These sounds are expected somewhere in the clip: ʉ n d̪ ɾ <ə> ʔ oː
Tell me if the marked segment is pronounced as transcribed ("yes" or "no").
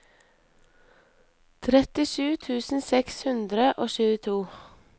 yes